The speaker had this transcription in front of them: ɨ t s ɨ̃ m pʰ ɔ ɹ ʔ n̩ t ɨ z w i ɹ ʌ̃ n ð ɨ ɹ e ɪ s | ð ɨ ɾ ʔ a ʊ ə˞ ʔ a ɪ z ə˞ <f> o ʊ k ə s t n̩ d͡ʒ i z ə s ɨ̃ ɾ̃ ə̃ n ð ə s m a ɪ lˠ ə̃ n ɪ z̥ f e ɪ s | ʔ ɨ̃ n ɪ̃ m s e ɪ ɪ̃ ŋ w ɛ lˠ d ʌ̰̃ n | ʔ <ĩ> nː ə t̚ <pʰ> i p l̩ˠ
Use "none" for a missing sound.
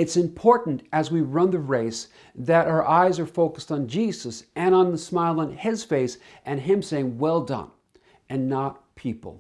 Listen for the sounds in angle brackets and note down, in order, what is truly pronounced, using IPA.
f, ɨ̃, pʰ

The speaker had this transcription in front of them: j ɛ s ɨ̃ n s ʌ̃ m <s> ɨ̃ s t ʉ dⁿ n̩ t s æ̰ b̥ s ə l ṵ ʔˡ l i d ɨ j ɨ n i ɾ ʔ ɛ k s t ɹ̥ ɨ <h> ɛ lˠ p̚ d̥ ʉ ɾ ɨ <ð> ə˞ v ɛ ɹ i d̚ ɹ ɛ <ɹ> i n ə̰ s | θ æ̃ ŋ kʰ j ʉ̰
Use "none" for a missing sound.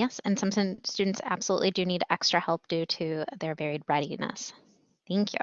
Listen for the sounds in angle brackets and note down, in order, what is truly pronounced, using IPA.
s, h, ð, ɾ

